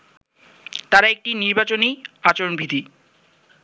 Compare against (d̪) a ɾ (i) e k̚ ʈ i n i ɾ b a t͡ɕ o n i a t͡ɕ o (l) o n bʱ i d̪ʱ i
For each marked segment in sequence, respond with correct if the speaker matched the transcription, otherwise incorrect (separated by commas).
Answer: incorrect, incorrect, incorrect